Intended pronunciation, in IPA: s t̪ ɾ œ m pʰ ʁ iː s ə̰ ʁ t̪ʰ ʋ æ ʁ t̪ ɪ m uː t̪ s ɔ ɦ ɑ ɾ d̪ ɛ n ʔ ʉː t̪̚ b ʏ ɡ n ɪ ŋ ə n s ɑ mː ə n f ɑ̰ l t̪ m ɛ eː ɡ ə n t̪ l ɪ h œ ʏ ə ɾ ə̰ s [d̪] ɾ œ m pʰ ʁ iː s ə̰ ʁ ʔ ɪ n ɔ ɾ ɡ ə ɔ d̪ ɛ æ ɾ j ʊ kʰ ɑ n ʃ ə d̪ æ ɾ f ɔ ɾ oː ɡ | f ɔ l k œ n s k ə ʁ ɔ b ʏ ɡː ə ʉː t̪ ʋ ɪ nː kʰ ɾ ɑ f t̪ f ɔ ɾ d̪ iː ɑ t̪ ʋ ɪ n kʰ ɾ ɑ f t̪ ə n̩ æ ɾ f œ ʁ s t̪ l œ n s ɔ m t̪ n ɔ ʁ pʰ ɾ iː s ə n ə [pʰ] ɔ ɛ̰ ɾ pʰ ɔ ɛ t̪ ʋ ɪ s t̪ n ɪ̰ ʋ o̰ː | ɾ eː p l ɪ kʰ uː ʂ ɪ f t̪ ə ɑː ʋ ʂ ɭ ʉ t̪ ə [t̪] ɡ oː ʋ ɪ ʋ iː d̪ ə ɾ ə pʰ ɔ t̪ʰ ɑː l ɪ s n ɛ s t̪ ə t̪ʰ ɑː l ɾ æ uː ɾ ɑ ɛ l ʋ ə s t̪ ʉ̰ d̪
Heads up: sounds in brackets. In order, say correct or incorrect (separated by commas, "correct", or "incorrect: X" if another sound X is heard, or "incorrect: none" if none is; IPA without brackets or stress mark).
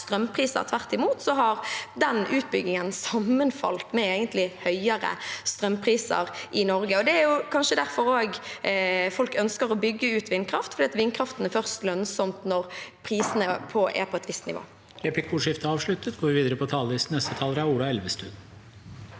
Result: incorrect: t̪, correct, correct